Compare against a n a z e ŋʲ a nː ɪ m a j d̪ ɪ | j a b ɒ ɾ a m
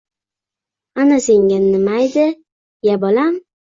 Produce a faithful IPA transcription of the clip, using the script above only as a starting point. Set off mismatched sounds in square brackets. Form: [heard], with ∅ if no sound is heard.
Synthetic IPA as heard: a n a [s] e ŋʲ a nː ɪ m a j d̪ ɪ | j a b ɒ [l] a m